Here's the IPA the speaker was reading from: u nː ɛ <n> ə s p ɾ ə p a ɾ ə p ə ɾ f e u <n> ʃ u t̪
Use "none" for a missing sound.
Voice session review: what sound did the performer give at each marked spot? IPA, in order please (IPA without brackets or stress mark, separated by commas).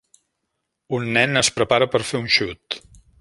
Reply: n, n